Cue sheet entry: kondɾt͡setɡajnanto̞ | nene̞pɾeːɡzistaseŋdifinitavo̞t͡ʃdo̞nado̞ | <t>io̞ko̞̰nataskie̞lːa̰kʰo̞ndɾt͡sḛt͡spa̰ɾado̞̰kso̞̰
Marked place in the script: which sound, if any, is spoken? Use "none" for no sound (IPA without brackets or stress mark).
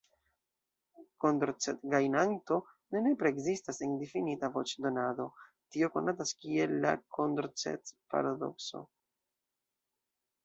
t